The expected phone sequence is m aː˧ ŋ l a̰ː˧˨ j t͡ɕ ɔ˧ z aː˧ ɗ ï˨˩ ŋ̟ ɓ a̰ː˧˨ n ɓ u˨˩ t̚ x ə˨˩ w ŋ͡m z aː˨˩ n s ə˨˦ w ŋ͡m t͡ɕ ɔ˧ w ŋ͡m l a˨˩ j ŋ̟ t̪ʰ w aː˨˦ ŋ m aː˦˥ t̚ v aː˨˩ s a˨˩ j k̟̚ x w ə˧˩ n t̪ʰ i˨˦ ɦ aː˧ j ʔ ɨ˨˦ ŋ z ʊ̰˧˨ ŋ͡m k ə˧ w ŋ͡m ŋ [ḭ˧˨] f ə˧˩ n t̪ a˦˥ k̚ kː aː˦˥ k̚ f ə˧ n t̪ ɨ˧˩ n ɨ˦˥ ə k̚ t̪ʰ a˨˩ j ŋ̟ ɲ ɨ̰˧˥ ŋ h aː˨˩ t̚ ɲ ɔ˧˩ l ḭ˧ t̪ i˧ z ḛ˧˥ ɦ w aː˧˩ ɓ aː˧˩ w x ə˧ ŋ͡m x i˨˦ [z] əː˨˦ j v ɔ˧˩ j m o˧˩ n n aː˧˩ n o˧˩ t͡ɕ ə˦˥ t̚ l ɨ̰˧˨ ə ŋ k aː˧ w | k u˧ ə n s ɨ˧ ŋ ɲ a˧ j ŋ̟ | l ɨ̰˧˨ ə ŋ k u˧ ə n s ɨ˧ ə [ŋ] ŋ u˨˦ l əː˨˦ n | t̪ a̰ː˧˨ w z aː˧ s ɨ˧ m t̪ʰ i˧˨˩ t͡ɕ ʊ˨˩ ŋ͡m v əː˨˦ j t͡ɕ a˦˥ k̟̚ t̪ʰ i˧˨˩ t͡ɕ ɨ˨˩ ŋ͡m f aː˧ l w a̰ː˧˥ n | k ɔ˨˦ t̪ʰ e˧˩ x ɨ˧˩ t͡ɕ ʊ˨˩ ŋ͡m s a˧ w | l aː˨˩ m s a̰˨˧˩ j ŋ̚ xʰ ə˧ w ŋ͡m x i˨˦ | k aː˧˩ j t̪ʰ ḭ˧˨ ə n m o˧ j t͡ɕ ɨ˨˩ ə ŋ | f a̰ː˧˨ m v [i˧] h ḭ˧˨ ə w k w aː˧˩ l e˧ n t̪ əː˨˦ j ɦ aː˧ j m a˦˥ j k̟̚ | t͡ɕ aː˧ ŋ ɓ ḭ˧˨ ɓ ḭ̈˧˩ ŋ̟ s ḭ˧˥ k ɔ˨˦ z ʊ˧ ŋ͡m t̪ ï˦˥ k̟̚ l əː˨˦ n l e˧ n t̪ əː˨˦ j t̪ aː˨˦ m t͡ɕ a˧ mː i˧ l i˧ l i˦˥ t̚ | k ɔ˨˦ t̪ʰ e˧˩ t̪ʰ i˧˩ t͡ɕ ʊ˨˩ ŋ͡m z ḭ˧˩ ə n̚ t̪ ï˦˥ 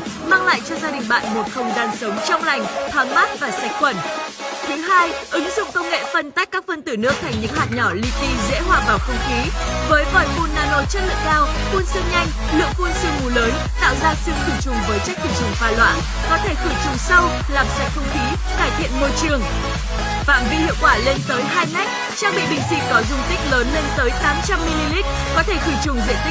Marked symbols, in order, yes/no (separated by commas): no, no, yes, yes